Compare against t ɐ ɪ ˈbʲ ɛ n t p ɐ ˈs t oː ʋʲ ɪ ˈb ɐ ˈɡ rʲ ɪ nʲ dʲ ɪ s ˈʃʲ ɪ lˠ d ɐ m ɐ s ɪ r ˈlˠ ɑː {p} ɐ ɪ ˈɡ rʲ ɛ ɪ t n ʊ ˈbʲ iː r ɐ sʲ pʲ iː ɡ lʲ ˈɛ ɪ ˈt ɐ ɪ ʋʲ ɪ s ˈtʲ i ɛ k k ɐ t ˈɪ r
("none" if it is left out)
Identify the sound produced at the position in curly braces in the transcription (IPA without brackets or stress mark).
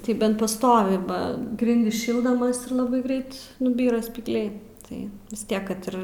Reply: b